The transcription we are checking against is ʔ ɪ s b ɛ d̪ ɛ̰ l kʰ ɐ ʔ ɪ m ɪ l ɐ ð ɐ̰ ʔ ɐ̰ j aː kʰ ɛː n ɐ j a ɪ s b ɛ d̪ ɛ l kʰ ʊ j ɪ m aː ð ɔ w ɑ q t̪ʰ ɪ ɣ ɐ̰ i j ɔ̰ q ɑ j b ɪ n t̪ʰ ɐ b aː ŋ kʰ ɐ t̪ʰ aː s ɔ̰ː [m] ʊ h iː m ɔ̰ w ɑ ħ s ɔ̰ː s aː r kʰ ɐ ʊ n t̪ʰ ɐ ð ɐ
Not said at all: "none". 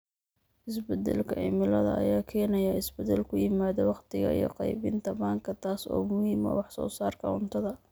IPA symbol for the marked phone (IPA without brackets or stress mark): m